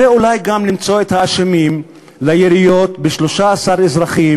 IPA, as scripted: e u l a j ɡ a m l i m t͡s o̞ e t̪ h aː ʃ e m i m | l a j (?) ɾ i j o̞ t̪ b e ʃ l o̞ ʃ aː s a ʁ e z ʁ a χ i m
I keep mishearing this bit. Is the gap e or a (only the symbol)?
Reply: e